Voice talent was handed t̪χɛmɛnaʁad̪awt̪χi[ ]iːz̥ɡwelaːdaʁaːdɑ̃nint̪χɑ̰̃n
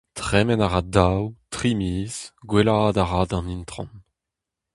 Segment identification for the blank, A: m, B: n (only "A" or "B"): A